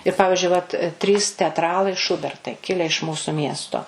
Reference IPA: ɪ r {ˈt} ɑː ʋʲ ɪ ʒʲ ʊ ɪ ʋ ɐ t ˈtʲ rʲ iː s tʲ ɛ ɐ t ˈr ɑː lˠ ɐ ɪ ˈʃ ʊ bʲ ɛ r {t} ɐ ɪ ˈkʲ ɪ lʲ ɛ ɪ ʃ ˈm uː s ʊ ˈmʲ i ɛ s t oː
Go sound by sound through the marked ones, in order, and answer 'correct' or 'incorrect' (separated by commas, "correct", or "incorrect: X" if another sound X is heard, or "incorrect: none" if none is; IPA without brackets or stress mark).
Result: incorrect: p, correct